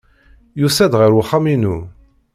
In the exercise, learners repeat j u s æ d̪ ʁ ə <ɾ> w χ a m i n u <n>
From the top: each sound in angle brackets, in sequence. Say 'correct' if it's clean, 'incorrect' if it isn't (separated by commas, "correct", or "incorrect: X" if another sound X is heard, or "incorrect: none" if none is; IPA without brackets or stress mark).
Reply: correct, incorrect: none